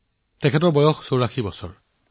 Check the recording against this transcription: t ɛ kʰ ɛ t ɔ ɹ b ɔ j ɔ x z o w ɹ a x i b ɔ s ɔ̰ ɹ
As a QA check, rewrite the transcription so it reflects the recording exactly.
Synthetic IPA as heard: t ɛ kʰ ɛ t ɔ ɹ b ɔ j ɔ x s o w ɹ a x i b ɔ s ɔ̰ ɹ